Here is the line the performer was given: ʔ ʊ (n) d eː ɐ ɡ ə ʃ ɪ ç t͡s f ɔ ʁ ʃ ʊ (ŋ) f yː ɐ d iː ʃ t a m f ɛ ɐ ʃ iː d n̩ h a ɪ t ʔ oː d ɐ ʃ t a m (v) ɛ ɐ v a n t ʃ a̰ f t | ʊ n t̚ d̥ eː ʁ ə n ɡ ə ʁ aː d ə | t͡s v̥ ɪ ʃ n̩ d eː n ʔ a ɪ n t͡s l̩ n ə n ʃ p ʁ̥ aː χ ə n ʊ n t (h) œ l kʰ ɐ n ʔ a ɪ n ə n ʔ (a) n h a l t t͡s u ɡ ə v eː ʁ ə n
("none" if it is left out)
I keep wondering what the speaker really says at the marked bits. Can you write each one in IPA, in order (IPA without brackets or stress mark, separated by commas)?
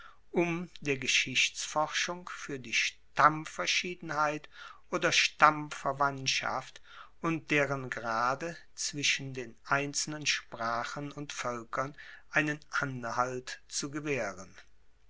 m, ŋ, f, f, a